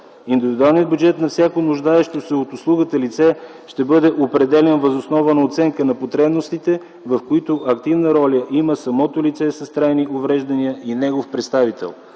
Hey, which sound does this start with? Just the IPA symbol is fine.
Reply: i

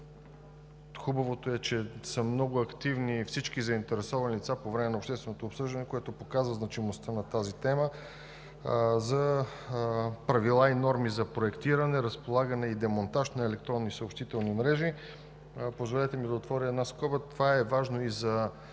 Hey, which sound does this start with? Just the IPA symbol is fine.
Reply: x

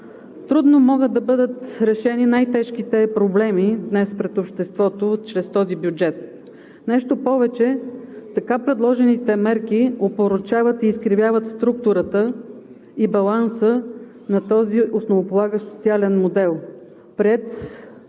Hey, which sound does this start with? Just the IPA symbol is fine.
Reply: t̪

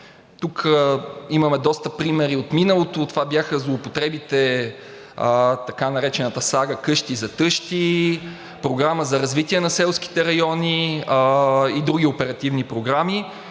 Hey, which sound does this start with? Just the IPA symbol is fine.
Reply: t̪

